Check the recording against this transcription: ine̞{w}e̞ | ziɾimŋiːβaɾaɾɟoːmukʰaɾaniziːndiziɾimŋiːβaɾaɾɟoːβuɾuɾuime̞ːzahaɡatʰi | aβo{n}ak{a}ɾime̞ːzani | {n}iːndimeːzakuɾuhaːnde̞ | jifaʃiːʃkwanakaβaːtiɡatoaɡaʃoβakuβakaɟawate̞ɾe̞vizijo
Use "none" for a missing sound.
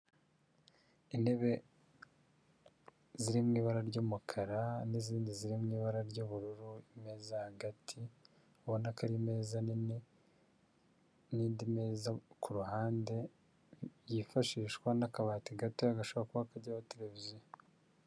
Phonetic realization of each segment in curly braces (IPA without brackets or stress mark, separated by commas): β, n, a, n